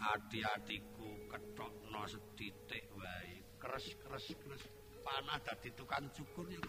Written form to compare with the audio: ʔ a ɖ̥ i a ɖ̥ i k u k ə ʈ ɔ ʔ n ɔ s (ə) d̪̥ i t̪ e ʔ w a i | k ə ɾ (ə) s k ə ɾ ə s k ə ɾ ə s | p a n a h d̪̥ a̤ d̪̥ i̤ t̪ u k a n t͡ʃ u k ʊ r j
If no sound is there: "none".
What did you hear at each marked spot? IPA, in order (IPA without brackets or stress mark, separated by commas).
ə, ə